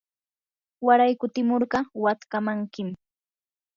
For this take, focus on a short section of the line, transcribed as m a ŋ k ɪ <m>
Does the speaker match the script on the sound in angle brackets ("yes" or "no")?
yes